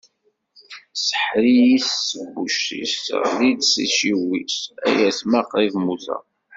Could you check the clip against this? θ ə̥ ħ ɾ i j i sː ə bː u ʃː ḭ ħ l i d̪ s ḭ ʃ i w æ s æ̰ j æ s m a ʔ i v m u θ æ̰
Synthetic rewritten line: s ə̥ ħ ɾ i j i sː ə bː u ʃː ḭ s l i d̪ s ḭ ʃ i w i s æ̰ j æ s m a q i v m u θ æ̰